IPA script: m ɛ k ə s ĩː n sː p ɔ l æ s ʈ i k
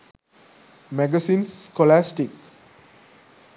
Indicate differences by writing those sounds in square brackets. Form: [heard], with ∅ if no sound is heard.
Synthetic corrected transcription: m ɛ [ɡ] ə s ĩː n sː [k] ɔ l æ s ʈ i k